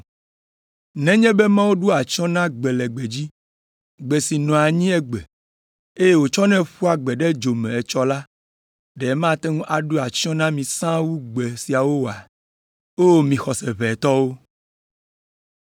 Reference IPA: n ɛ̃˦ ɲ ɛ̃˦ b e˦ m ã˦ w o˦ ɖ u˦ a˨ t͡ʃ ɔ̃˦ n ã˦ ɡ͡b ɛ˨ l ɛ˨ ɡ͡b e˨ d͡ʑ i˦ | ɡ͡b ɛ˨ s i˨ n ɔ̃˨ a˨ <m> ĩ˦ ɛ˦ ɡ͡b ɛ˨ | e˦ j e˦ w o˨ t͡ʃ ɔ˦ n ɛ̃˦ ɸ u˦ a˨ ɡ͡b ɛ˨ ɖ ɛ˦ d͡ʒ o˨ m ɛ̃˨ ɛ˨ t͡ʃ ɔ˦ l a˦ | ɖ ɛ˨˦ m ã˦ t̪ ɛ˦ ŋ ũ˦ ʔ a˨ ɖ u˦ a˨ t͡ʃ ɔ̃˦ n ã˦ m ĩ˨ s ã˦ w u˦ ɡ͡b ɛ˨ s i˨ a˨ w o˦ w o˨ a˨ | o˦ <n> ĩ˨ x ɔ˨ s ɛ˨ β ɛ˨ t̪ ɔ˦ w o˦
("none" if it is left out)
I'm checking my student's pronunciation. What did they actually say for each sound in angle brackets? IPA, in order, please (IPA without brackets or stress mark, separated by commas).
ɲ, m